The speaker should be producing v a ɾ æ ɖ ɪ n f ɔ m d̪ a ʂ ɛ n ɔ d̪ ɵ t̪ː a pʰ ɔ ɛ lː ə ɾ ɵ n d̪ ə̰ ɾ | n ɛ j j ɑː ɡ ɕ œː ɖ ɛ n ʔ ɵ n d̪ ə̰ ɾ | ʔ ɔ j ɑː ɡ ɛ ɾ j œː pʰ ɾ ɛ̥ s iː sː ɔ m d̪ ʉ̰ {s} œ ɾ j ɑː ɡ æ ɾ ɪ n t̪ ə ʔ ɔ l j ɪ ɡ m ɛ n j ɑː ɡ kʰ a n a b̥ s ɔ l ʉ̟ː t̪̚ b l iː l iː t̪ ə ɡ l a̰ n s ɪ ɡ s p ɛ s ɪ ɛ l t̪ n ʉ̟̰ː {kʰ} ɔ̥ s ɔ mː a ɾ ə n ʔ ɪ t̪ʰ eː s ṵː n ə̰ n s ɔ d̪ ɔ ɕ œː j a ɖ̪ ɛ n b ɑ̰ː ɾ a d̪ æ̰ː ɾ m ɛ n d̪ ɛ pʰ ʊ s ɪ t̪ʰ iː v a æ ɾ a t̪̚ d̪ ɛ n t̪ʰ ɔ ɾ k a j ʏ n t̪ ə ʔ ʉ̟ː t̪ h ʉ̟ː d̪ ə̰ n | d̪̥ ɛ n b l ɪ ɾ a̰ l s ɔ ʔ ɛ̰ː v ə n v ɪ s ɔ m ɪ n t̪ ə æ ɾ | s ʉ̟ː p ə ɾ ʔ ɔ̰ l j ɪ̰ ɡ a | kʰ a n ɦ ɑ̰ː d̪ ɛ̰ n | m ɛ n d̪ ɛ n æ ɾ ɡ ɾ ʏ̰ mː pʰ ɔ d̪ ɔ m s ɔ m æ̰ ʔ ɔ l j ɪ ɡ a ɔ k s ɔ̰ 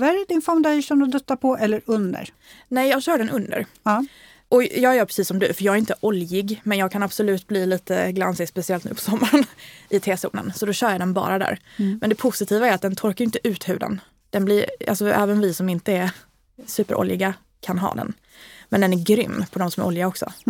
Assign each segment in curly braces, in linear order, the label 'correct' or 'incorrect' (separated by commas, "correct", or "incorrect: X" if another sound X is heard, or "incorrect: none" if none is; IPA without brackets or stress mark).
incorrect: f, incorrect: pʰ